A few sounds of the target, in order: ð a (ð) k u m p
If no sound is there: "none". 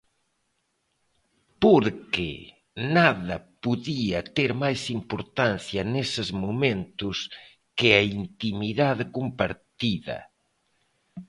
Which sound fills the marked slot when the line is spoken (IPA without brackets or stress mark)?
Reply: ð